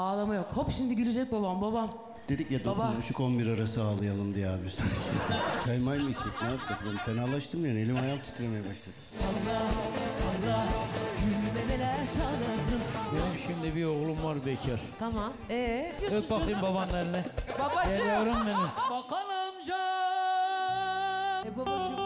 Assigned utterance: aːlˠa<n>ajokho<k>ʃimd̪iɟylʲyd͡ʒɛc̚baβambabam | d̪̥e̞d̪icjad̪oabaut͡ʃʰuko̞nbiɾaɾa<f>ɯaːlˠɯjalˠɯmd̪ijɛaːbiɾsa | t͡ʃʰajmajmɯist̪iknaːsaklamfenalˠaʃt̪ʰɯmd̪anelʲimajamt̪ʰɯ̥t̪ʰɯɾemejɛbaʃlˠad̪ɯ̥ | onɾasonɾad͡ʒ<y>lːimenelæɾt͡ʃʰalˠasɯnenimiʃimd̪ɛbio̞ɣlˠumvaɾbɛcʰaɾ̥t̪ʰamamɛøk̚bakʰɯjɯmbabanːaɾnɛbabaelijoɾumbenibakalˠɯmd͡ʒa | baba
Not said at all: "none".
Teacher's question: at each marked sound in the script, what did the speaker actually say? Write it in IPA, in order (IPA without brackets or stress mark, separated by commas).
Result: m, p, s, y